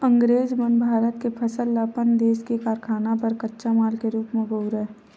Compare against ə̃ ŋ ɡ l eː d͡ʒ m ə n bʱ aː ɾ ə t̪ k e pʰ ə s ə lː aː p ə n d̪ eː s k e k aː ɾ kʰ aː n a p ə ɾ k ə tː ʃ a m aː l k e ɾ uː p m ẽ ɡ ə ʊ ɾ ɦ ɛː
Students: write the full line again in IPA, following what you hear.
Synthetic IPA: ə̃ ŋ ɡ ɾ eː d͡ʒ m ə n bʱ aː ɾ ə t̪ k e pʰ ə s ə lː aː p ə n d̪ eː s k e k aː ɾ kʰ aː n a p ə ɾ k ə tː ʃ a m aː l k e ɾ uː p m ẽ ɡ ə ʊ ɾ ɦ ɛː